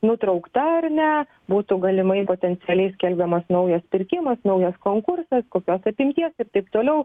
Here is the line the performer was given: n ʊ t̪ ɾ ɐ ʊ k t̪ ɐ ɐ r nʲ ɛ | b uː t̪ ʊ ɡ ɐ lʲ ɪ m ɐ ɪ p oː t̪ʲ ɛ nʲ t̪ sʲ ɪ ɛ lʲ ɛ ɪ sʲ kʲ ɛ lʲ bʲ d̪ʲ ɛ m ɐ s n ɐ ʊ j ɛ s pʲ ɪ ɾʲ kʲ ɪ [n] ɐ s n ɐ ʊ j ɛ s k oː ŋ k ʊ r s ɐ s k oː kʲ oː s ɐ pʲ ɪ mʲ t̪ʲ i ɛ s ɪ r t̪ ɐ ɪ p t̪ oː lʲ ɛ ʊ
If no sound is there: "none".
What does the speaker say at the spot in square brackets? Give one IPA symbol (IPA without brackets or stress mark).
m